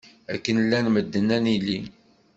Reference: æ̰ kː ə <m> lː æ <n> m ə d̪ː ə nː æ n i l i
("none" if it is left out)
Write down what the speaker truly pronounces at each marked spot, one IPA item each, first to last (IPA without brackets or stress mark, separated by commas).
n, n